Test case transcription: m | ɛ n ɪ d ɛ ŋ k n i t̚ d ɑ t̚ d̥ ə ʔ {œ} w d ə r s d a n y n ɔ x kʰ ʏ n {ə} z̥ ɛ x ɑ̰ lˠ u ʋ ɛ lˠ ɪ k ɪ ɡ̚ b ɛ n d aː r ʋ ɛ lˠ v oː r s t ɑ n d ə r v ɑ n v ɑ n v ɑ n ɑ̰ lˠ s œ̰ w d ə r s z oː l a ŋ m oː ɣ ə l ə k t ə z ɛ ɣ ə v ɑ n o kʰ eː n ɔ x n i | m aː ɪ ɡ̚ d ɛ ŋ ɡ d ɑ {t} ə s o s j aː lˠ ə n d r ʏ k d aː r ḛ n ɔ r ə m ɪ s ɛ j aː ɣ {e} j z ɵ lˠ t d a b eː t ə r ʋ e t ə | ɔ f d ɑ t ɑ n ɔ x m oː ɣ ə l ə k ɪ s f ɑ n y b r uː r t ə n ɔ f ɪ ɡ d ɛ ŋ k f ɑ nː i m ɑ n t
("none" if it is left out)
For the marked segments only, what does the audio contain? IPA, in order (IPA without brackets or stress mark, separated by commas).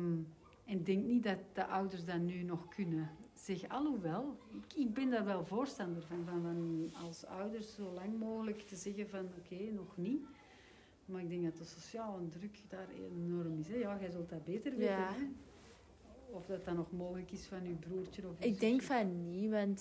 œ, ə, t, ɛ